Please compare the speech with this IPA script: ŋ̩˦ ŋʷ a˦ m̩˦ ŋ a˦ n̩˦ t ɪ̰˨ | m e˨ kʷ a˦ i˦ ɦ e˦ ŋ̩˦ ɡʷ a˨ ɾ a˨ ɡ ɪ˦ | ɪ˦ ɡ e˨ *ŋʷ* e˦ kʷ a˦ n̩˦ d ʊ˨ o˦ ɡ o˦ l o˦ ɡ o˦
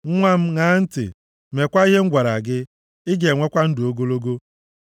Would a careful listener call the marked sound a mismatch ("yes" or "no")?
no